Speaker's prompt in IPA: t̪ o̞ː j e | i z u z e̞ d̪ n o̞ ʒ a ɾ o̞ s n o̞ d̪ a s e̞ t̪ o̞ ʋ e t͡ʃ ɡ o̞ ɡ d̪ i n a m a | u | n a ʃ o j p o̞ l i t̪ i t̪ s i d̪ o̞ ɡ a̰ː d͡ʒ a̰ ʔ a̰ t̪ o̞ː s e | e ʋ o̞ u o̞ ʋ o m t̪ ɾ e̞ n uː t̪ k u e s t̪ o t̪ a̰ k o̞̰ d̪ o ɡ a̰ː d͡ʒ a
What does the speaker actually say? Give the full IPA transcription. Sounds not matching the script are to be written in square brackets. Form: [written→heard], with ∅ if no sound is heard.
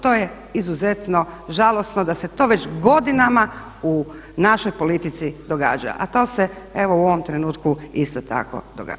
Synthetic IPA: t̪ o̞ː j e | i z u z e̞ [d̪→t̪] n o̞ ʒ a [ɾ→l] o̞ s n o̞ d̪ a s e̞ t̪ o̞ ʋ e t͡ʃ ɡ o̞ [ɡ→∅] d̪ i n a m a | u | n a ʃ o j p o̞ l i t̪ i t̪ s i d̪ o̞ ɡ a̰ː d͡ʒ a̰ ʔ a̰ t̪ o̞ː s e | e ʋ o̞ u o̞ ʋ o m t̪ ɾ e̞ n uː t̪ k u [e→i] s t̪ o t̪ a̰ k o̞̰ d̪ o ɡ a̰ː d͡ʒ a